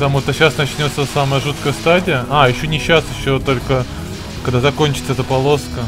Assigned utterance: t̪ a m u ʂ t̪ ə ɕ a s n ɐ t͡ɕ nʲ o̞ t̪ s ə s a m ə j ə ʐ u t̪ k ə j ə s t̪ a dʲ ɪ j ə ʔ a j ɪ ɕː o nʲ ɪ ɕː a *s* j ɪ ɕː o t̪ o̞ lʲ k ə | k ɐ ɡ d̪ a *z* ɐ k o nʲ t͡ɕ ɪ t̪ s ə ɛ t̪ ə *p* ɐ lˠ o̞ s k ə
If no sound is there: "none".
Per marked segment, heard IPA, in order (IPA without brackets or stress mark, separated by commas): s, z, p